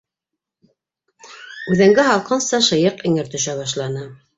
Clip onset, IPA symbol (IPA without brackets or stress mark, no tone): ʉ